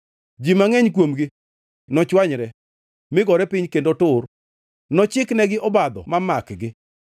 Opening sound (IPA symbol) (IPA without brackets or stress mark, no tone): d͡ʒ